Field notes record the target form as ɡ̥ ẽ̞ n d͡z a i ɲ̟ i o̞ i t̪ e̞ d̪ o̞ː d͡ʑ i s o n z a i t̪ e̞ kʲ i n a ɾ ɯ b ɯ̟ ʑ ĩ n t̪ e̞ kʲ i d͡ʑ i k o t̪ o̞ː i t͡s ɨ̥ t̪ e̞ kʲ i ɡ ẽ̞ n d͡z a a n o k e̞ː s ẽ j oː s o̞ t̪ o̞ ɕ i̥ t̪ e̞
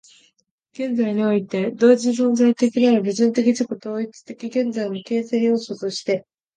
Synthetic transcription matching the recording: ɡ̥ ẽ̞ n d͡z a i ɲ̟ i o̞ i t̪ e̞ d̪ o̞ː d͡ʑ i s õ n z a i t̪ e̞ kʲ i n a ɾ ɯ b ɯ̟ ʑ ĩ n t̪ e̞ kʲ i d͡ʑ i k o t̪ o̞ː i t͡s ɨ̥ t̪ e̞ kʲ i ɡ ẽ̞ n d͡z a i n o k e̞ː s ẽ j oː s o̞ t̪ o̞ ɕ i̥ t̪ e̞